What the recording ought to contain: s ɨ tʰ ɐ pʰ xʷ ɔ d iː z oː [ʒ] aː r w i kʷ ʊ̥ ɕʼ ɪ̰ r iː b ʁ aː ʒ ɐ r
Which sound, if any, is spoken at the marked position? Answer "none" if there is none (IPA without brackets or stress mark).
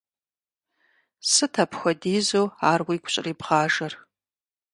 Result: none